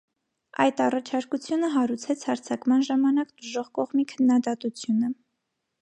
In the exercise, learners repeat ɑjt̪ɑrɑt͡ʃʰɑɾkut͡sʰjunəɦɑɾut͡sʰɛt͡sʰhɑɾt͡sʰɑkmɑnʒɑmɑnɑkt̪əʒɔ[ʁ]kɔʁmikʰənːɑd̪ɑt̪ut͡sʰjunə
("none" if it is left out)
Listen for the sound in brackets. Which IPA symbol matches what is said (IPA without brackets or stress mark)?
ʁ